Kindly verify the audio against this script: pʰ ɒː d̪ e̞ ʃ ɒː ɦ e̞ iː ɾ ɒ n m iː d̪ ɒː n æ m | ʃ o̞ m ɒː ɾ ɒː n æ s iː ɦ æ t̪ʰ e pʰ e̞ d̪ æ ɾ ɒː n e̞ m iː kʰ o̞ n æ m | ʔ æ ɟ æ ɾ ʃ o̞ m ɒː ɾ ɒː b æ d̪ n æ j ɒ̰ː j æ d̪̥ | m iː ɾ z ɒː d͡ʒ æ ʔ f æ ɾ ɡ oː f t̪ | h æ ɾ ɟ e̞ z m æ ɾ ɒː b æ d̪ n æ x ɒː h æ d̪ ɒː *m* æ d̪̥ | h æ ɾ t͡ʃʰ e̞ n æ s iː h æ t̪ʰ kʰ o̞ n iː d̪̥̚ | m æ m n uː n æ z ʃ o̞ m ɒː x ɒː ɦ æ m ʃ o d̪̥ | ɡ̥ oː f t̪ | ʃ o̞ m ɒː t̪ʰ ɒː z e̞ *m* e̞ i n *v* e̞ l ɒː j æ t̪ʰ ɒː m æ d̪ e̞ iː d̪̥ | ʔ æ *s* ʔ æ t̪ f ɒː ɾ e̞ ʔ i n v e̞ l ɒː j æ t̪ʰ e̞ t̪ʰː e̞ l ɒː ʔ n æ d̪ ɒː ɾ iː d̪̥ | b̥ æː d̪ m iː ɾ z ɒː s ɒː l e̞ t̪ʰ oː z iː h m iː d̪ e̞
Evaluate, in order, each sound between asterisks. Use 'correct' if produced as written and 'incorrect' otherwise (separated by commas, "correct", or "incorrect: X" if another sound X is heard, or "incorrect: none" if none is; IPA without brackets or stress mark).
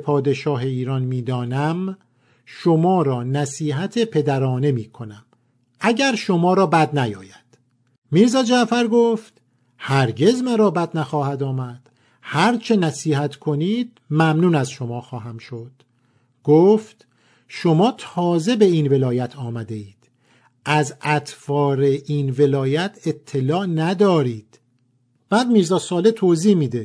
correct, incorrect: b, correct, incorrect: z